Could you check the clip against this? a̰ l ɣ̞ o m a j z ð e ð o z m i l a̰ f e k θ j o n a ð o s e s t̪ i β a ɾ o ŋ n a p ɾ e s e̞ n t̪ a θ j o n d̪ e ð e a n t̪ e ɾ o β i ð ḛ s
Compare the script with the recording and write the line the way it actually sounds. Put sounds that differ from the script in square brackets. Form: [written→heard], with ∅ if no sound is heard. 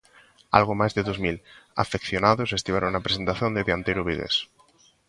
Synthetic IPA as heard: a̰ l ɣ̞ o m a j z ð e ð o z m i l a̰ f e k θ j o n a ð o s e s t̪ i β a ɾ o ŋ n a p ɾ e s e̞ n t̪ a θ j o n d̪ e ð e a n t̪ e ɾ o β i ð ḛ s